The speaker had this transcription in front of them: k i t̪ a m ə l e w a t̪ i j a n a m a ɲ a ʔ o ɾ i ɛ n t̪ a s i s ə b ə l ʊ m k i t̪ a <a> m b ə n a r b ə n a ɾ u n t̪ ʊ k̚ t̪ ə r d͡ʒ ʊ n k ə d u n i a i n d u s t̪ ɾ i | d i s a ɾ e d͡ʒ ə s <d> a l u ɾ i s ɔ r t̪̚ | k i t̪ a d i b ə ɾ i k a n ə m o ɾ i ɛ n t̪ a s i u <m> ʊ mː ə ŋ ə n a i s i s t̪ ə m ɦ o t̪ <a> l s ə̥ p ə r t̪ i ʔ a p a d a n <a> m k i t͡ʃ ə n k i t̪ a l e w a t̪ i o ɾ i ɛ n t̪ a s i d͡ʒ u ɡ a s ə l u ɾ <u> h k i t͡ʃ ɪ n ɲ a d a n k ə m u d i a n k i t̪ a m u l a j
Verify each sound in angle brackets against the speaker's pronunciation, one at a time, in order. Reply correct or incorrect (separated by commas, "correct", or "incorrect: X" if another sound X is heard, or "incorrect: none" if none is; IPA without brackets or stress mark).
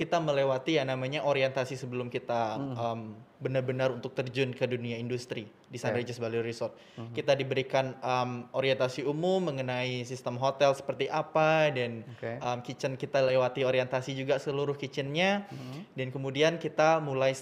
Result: incorrect: ə, incorrect: b, correct, incorrect: ɛ, incorrect: ə, incorrect: ʊ